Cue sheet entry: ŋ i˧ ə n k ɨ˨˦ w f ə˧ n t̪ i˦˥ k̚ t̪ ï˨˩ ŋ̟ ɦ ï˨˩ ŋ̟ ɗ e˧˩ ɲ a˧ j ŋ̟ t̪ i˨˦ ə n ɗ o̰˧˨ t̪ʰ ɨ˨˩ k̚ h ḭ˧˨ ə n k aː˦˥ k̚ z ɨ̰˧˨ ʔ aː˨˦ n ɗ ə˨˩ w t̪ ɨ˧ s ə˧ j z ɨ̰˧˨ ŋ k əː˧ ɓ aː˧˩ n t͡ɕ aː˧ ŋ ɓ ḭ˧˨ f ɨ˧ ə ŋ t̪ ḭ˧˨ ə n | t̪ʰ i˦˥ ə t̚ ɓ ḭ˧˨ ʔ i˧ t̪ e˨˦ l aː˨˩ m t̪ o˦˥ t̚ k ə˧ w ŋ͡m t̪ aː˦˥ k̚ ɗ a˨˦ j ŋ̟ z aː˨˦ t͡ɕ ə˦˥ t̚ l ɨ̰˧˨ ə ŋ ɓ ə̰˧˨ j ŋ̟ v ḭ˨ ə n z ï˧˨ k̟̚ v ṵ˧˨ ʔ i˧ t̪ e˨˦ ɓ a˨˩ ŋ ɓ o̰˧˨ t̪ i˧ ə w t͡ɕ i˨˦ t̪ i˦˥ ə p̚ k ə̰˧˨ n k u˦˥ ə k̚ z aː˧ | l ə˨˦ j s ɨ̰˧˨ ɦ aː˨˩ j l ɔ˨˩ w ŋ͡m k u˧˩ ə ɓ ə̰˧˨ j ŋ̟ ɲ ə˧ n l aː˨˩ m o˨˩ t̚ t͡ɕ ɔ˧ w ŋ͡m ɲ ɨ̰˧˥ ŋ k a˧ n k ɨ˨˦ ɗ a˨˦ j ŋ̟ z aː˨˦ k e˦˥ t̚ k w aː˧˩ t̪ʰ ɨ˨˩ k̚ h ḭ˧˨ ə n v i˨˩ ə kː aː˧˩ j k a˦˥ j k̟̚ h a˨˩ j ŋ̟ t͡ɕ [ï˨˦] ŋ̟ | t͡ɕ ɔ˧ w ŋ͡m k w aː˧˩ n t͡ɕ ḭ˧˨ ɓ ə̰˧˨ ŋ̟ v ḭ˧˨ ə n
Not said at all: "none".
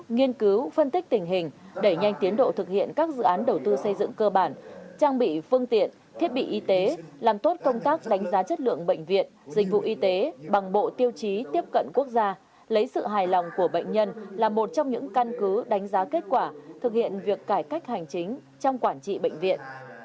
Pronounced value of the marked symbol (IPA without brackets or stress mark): ï˨˦